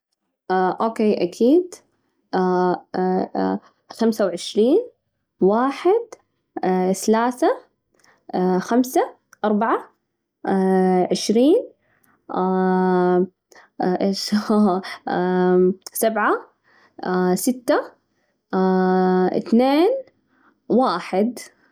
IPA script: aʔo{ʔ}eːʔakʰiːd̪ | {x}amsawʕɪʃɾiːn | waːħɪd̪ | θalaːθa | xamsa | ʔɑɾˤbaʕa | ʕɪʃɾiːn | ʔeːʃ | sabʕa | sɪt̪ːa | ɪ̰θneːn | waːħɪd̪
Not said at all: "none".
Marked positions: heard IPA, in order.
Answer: k, x

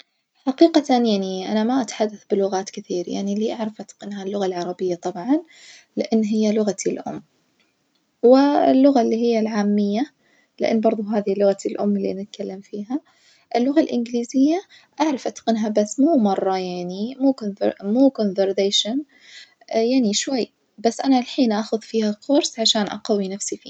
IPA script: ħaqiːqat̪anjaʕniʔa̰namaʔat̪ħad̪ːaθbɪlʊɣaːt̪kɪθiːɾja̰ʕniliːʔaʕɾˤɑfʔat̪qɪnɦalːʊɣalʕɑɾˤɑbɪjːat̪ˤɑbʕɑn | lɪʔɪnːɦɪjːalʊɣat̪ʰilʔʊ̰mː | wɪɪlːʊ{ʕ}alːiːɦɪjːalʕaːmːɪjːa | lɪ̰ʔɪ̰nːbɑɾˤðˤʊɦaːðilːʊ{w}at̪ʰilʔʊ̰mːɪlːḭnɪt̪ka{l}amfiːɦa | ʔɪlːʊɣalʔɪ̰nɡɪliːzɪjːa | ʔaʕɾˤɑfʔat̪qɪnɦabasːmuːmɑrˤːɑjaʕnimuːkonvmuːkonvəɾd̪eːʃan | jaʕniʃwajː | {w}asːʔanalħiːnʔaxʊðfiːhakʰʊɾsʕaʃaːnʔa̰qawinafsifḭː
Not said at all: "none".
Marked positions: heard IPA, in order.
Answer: ɣ, ɣ, lː, b

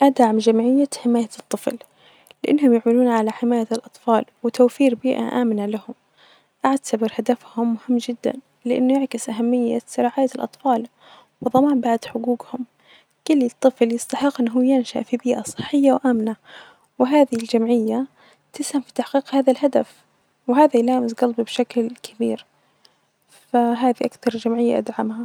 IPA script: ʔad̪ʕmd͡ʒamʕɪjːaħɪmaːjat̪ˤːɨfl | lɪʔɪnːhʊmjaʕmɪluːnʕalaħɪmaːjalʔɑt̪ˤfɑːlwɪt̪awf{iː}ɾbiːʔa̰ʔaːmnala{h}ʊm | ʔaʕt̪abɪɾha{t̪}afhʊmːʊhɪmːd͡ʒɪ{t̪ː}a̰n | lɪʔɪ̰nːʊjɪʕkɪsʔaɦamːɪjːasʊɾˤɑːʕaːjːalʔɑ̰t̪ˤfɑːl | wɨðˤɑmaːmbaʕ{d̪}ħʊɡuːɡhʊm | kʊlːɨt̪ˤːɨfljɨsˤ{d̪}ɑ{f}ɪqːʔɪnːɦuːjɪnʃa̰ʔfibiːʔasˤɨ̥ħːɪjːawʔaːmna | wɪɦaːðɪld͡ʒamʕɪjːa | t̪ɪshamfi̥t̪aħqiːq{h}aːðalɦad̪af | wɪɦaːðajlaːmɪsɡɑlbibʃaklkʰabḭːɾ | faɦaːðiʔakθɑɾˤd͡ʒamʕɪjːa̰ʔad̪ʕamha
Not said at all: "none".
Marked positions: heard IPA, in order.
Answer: iː, h, d̪, d̪ː, d̪, t̪, ħ, h

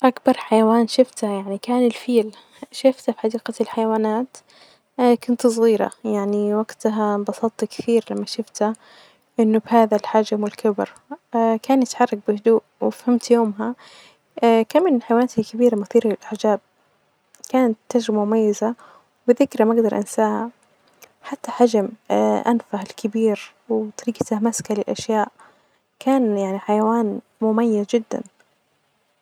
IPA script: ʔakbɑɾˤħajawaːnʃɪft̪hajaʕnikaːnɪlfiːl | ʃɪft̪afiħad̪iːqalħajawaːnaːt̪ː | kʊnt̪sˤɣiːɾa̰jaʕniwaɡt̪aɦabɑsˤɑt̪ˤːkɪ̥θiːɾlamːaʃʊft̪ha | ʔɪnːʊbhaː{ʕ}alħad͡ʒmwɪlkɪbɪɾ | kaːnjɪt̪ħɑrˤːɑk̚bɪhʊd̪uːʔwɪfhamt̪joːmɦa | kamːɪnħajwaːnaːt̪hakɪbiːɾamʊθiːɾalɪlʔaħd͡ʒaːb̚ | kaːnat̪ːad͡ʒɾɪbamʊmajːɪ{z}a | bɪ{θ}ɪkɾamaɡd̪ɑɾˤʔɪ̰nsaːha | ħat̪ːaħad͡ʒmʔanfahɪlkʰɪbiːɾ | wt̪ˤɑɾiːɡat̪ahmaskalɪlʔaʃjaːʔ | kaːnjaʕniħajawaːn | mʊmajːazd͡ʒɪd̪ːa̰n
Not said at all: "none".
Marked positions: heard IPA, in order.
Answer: ð, z, ð

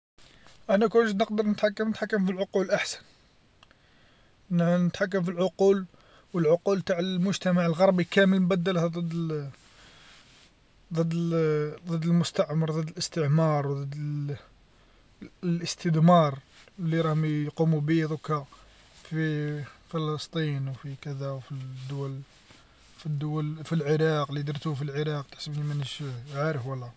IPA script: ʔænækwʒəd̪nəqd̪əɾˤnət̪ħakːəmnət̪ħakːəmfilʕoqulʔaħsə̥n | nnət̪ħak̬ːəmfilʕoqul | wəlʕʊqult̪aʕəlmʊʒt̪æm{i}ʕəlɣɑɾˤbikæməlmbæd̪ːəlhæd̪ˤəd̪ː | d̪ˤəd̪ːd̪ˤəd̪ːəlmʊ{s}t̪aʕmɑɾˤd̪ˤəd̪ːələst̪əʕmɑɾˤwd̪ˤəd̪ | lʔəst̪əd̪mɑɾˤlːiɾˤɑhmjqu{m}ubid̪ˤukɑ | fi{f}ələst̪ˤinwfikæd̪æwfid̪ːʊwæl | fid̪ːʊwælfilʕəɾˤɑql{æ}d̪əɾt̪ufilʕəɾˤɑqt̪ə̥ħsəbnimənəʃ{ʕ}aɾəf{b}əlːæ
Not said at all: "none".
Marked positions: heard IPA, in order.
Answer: a, s, m, f, i, ʕ, w

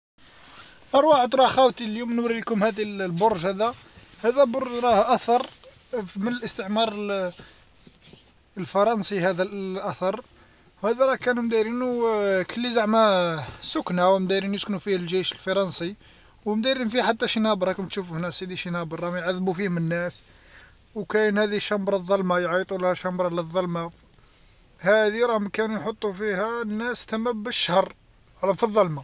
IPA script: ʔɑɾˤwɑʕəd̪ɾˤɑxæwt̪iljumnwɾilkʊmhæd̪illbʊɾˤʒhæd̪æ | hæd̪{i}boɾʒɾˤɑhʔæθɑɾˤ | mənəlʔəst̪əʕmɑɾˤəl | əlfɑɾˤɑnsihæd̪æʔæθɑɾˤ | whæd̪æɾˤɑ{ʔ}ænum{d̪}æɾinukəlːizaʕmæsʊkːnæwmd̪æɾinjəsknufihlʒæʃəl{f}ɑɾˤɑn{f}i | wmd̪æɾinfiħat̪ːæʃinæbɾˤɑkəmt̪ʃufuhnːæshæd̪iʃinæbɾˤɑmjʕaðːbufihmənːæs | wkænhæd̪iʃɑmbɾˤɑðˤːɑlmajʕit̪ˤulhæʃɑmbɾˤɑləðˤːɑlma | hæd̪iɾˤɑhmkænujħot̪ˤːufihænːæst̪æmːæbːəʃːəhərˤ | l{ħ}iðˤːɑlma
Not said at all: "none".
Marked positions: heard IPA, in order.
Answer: æ, k, d̪, f, s, f

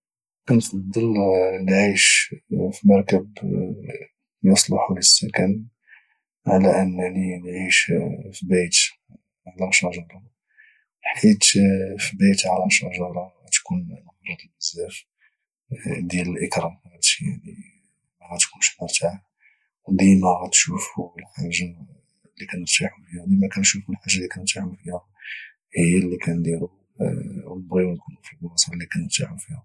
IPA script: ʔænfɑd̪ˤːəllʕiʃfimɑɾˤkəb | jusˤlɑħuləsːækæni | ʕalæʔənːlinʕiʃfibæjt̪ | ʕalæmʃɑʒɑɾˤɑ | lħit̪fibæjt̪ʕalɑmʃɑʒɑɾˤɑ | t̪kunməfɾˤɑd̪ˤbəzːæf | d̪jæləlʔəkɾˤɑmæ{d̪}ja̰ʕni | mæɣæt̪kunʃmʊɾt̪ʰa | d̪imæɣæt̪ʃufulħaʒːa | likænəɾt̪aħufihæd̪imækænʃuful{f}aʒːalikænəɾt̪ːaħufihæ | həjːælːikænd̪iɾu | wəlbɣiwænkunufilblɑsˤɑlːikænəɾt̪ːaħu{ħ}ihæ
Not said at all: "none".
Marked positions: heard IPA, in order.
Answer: t̪, ħ, f

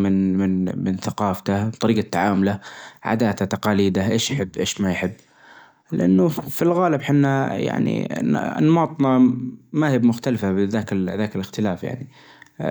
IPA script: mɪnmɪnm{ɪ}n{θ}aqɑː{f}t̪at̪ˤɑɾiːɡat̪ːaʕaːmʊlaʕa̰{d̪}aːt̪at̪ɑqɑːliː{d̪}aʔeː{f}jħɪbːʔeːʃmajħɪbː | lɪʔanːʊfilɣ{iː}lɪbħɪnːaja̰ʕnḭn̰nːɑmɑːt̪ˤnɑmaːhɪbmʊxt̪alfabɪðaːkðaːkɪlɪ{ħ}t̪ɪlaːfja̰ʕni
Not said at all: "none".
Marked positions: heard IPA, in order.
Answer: ɪ, θ, f, d̪, d̪, ʃ, aː, x

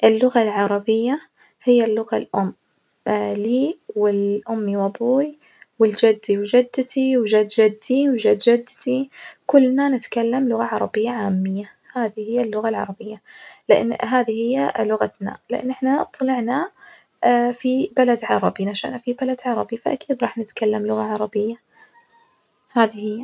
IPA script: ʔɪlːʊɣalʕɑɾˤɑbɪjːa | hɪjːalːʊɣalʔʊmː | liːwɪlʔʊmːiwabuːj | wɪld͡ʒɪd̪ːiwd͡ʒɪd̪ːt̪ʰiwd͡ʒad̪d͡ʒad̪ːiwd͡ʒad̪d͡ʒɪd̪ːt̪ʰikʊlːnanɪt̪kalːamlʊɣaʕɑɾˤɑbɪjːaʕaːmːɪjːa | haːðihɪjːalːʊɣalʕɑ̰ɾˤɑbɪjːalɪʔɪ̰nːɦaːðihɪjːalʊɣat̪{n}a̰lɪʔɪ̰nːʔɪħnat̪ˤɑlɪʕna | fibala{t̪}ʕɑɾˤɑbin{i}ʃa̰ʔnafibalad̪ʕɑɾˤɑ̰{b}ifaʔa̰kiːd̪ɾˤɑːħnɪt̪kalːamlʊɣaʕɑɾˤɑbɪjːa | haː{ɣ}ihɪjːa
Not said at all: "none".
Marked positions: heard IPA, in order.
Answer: n, d̪, a, b, ð

